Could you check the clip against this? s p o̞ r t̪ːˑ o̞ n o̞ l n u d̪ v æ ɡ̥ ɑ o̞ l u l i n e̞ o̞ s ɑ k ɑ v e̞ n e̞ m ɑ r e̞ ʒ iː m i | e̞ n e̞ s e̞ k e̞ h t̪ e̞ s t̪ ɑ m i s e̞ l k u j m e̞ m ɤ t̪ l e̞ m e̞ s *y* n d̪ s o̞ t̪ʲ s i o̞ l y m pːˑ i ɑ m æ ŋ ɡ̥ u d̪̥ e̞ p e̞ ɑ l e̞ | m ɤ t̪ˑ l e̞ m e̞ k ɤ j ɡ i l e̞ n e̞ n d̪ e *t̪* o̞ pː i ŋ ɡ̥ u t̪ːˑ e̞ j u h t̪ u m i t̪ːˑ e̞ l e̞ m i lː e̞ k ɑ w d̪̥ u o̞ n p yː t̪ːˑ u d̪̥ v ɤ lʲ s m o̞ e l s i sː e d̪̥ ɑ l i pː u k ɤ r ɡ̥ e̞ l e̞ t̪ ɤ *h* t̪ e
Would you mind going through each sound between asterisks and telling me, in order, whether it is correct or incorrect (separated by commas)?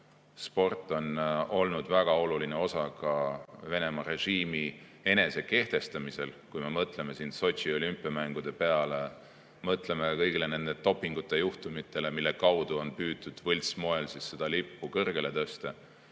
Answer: incorrect, correct, incorrect